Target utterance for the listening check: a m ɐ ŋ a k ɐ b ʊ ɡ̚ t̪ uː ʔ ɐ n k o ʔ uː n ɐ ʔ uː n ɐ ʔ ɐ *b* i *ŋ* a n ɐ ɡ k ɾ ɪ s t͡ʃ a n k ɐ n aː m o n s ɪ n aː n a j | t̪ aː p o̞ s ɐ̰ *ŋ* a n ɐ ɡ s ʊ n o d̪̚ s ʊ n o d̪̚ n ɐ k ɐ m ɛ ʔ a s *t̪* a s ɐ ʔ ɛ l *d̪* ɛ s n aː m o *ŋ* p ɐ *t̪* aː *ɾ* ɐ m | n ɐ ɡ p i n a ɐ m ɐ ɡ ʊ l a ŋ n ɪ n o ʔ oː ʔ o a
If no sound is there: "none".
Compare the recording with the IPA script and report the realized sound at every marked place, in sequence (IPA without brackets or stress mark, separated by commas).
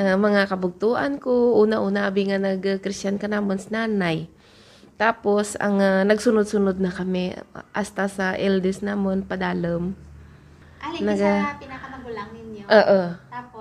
b, ŋ, ŋ, t̪, d̪, n, d̪, l